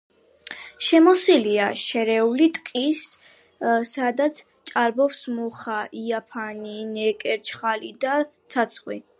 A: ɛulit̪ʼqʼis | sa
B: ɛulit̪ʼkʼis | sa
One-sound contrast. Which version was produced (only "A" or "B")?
B